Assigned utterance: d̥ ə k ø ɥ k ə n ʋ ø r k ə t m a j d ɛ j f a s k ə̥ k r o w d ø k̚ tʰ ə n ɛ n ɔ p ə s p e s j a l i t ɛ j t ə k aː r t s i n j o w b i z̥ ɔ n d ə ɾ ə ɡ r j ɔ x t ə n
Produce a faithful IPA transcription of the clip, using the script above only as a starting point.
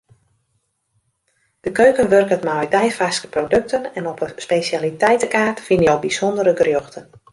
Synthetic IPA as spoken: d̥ ə k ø ɥ k ə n ʋ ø r k ə t m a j d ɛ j f a s k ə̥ p r o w d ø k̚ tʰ ə n ɛ n ɔ p ə s p e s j a l i t ɛ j t ə k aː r t f i n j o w b i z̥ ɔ n d ə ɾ ə ɡ r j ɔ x t ə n